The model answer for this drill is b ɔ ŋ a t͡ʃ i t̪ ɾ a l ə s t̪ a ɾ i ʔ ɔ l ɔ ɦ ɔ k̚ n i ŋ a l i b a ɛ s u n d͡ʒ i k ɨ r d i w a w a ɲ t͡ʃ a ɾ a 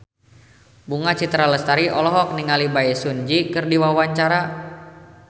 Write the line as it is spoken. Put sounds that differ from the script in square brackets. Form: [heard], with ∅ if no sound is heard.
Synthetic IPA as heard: b [u] ŋ a t͡ʃ i t̪ ɾ a l ə s t̪ a ɾ i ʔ ɔ l ɔ ɦ ɔ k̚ n i ŋ a l i b a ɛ s u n d͡ʒ i k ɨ r d i w a w a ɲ t͡ʃ a ɾ a